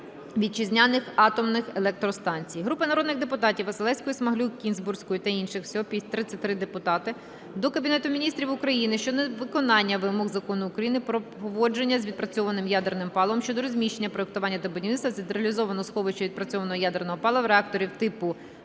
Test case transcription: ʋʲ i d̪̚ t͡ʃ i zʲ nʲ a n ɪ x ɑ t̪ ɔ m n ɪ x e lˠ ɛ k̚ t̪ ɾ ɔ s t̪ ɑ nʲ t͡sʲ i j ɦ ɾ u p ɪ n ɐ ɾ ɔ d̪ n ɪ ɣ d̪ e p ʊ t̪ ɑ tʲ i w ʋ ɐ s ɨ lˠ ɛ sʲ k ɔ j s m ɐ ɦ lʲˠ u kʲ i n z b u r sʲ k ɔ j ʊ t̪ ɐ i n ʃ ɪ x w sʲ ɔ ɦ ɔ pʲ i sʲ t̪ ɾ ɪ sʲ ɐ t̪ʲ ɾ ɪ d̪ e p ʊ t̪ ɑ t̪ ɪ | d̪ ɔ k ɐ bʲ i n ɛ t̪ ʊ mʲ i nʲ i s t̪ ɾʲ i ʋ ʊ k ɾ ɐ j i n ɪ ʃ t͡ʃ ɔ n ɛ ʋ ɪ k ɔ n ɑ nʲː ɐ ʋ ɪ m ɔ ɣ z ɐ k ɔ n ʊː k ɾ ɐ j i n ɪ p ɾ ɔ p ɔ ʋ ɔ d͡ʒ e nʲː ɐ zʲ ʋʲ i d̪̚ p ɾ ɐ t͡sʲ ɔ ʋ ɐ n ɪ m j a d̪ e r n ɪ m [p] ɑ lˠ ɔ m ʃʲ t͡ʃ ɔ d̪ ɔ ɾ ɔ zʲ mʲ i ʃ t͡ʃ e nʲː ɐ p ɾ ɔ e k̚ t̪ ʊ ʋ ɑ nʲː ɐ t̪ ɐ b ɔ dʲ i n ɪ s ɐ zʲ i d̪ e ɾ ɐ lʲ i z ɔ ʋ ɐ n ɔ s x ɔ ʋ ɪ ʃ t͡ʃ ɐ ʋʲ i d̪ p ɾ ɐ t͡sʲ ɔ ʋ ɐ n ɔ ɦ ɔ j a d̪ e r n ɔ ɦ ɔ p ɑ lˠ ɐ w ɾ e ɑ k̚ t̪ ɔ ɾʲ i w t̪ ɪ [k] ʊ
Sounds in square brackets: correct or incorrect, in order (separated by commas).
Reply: correct, incorrect